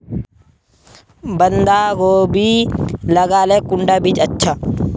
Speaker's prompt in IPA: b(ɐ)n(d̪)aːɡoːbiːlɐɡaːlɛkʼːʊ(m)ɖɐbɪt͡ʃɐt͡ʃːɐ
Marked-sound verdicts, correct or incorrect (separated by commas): correct, correct, incorrect